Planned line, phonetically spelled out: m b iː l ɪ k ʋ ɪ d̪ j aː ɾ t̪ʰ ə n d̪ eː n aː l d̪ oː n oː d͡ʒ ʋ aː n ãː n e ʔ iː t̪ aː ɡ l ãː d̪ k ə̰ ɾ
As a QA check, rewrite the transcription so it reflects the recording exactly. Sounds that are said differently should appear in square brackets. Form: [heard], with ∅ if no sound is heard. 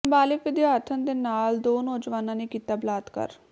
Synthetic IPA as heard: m b [aː] l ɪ k ʋ ɪ d̪ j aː ɾ t̪ʰ ə n d̪ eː n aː l d̪ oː n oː d͡ʒ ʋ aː n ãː n e [k] iː t̪ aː [b] l [aː] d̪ k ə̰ ɾ